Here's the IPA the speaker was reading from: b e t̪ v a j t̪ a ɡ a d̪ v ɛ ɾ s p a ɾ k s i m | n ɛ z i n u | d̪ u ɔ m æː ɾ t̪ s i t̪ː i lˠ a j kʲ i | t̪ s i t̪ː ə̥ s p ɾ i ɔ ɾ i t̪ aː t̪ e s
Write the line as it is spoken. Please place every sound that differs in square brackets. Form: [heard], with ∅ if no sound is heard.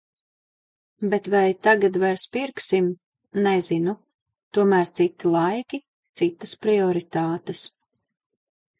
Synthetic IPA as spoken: b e t̪ v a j t̪ a ɡ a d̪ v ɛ ɾ s p [i] ɾ k s i m | n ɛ z i n u | [t̪] u ɔ m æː ɾ t̪ s i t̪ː i lˠ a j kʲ i | t̪ s i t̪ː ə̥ s p ɾ i ɔ ɾ i t̪ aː t̪ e s